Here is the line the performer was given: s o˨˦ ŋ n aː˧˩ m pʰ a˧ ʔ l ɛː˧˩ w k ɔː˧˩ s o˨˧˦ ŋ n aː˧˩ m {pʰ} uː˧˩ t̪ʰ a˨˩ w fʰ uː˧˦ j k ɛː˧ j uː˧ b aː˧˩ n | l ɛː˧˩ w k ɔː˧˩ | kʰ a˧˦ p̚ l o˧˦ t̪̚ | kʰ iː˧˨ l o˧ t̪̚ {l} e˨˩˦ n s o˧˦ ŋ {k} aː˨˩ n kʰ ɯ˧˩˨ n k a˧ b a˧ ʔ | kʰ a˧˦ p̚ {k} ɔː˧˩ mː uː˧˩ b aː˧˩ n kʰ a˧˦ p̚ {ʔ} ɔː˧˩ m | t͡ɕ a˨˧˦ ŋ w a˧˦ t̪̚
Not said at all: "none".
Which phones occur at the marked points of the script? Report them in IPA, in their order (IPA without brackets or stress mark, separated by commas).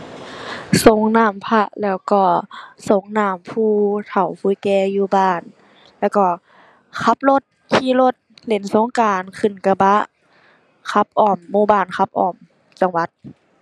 pʰ, l, k, ʔ, ʔ